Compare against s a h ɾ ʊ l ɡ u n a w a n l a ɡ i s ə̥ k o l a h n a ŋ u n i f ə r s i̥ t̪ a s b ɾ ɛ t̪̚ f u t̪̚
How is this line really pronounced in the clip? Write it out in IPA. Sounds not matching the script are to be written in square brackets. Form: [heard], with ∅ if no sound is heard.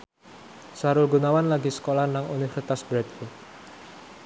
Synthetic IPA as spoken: s a [∅] ɾ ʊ l ɡ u n a w a n l a ɡ i s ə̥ k o l a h n a ŋ u n i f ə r s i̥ t̪ a s b ɾ ɛ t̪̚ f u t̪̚